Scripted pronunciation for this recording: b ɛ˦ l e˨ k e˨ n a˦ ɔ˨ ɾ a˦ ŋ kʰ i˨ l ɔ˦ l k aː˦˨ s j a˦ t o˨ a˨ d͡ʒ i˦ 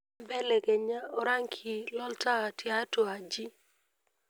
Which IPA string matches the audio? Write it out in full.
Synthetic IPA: b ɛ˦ l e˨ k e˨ ɲ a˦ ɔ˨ ɾ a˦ ŋ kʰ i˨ l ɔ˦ l t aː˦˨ t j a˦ t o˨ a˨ d͡ʒ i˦